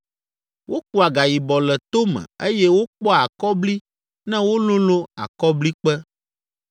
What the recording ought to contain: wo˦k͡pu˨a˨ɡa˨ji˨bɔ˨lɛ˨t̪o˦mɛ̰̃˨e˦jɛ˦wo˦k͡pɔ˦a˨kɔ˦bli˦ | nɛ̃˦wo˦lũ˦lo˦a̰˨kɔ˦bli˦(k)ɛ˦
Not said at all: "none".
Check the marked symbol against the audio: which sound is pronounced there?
k͡p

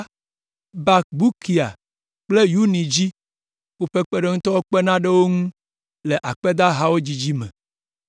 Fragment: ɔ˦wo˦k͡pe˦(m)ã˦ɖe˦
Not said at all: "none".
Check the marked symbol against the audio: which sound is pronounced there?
n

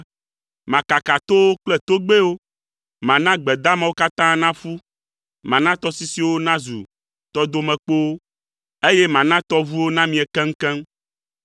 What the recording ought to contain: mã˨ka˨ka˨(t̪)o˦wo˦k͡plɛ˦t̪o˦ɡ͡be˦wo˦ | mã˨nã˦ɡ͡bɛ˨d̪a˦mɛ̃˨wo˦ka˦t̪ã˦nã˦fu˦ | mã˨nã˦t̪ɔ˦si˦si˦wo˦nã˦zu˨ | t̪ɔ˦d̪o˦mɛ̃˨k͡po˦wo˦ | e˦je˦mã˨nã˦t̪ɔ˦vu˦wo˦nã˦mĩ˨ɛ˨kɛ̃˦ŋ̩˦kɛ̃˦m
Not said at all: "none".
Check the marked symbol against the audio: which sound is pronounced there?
t̪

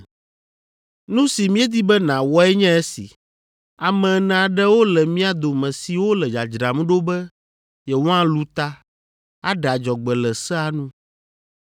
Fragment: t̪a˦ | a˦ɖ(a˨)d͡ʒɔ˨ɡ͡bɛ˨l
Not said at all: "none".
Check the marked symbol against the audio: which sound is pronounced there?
a˨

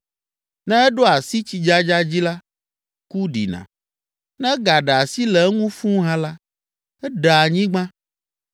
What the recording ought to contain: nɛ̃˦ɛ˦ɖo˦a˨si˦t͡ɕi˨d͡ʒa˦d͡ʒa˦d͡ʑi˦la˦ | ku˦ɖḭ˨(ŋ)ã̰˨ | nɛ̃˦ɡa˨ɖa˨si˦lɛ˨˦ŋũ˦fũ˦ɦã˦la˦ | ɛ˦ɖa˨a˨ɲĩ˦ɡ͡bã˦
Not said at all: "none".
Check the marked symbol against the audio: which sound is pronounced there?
n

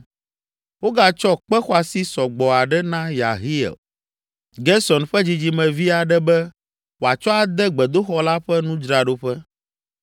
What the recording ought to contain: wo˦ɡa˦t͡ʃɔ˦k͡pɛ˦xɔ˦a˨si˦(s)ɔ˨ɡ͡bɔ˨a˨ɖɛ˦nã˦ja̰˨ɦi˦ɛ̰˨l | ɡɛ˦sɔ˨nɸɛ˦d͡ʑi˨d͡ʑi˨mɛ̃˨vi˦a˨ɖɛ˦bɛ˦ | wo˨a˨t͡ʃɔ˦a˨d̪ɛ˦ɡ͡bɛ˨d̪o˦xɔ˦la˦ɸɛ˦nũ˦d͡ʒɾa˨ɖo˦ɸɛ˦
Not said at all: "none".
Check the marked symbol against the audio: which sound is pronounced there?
s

